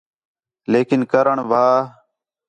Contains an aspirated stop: no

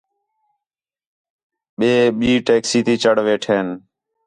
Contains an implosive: yes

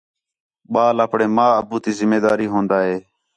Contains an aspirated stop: no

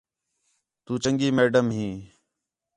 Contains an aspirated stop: no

